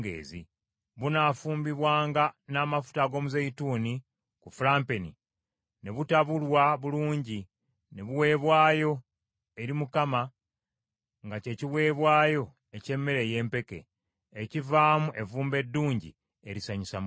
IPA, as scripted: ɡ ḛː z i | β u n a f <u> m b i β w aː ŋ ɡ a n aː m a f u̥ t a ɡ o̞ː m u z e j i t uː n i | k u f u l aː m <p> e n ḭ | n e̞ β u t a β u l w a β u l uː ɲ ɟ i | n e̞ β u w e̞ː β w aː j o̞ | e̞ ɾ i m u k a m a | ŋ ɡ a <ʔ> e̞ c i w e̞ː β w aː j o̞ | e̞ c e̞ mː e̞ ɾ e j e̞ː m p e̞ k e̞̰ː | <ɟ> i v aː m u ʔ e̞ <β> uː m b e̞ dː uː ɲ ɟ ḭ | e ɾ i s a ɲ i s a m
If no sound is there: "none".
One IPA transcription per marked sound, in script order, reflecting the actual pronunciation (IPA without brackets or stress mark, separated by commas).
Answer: uː, p, c, c, v